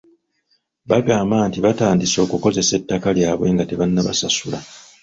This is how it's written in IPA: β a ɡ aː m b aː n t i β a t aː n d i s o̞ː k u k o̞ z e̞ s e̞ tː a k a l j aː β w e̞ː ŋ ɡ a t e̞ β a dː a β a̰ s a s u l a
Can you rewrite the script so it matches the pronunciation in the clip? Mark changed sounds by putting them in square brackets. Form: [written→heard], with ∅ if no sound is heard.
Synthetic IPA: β a ɡ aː m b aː n t i β a t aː n d i s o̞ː k u k o̞ z e̞ s e̞ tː a k a l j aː β w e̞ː ŋ ɡ a t e̞ β a [dː→nː] a β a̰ s a s u l a

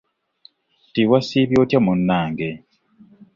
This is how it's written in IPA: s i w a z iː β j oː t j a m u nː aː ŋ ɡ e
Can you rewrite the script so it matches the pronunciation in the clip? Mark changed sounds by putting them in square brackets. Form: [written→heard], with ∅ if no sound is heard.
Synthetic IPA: [s→t] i w a [z→s] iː β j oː t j a m u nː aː ŋ ɡ e

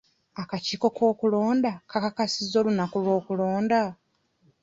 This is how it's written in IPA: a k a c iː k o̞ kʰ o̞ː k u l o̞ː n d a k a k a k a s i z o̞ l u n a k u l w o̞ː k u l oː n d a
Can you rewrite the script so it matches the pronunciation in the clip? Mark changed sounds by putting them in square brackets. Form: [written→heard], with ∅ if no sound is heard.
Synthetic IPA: a k a c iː k o̞ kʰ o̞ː k u l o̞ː n d a k a k a k a s i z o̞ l u n a k u l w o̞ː k u l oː n d a

